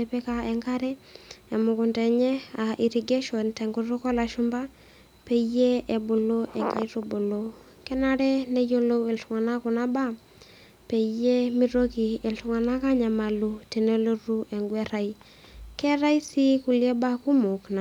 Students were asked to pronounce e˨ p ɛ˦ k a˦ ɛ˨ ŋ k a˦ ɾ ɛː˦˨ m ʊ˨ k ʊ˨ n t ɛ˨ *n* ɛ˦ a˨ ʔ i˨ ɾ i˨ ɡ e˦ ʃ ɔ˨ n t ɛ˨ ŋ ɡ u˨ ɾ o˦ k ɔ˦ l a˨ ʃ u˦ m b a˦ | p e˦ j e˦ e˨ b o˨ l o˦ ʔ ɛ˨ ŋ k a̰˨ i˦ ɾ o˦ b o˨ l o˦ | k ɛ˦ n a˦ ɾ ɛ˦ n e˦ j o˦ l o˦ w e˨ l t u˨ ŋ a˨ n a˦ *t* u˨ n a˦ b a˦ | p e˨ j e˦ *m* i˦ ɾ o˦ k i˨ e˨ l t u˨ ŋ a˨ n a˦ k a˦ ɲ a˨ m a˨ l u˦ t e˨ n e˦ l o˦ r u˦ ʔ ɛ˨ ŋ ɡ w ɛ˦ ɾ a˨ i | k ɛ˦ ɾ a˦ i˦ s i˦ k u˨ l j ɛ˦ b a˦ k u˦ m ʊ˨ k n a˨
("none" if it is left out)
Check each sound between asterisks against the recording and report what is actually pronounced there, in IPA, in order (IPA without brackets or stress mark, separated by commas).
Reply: ɲ, k, m